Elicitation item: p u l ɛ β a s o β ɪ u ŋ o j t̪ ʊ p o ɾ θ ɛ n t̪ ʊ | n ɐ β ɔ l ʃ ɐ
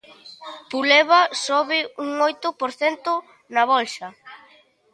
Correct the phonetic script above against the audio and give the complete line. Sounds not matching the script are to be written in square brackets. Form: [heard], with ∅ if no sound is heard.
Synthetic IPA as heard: p u l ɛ β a s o β ɪ u ŋ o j t̪ ʊ p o ɾ θ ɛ n t̪ ʊ | n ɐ β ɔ l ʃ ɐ

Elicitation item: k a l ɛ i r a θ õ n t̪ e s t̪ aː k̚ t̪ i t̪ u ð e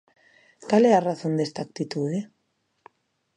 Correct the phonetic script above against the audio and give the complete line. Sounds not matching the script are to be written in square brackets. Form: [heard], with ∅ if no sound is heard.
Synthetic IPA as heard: k a l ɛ [a] r a θ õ n [d̪] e s t̪ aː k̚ t̪ i t̪ u ð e

